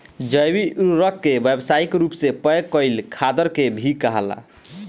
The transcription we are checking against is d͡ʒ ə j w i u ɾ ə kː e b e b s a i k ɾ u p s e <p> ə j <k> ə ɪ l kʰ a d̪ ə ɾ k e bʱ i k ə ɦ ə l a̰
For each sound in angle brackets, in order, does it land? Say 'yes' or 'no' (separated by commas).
yes, yes